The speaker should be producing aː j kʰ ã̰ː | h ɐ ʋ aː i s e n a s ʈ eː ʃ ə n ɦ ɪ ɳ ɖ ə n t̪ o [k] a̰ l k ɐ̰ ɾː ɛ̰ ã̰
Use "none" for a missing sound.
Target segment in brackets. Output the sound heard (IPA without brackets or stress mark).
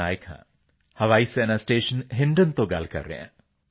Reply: ɡ